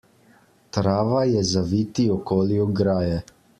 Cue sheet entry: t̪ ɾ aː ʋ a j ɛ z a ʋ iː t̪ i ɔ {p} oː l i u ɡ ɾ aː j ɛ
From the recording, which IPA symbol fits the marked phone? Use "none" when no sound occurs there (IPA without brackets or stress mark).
k